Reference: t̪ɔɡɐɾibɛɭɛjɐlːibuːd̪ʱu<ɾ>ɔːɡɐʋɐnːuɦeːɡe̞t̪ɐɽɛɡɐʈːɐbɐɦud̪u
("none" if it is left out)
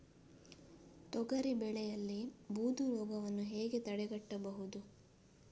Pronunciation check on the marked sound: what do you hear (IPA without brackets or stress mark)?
ɾ